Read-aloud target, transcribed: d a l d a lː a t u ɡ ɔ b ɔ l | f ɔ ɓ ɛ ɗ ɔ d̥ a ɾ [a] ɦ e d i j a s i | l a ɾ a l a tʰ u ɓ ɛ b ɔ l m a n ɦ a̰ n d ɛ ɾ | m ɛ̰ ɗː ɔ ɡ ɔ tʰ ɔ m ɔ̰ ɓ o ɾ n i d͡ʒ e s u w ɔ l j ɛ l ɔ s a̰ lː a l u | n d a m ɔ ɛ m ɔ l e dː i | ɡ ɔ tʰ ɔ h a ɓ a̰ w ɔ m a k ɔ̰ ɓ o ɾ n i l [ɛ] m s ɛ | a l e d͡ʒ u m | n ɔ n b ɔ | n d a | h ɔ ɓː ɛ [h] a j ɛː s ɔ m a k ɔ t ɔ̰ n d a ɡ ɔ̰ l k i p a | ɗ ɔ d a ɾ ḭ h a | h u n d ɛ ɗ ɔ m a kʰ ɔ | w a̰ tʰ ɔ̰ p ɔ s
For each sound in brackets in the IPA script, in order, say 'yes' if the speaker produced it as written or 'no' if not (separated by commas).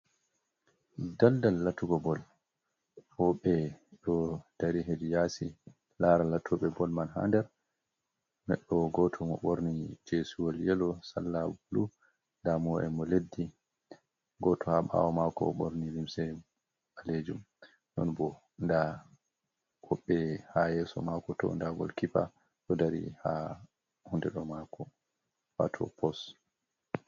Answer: no, no, yes